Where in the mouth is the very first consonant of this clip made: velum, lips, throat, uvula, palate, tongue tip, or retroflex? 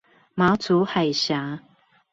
lips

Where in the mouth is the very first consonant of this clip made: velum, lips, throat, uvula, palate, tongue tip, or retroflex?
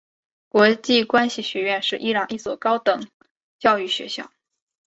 velum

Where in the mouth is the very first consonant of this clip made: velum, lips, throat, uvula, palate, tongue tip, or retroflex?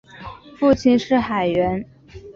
lips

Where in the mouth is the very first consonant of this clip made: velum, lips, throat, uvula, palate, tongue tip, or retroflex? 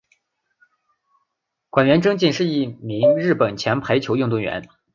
velum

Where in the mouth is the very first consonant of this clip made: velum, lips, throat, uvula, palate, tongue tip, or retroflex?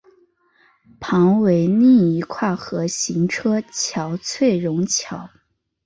lips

